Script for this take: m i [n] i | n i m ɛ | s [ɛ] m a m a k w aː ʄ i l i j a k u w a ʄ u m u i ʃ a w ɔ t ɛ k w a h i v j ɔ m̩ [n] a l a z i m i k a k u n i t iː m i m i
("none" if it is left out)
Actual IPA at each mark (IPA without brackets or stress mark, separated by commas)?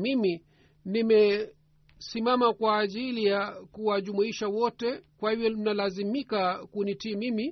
m, i, n